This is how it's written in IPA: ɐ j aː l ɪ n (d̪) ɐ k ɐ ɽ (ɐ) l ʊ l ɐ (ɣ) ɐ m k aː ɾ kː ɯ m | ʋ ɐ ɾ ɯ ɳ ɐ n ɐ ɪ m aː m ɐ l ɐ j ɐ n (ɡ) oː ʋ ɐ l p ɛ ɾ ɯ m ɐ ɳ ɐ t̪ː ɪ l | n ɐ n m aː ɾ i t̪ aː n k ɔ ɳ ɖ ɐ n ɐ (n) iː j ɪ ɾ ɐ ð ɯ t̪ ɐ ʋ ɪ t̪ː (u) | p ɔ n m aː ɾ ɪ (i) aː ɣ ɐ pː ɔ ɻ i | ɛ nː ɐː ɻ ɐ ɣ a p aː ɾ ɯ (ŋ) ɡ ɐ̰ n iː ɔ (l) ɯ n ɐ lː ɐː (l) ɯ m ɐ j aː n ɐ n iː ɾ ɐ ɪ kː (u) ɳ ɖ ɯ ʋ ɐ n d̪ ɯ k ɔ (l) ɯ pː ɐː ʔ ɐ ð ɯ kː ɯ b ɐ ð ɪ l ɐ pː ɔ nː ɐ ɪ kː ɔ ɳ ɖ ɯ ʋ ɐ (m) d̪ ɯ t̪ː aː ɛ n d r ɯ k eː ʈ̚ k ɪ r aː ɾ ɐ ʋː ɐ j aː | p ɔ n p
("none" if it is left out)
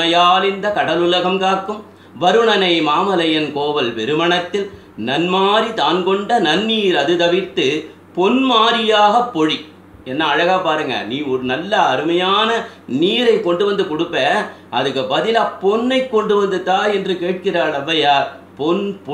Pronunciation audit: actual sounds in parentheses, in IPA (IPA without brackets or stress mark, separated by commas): d̪, ɐ, ɣ, k, nː, ɯ, j, ŋ, ɾ, ɾ, ɔ, ɽ, n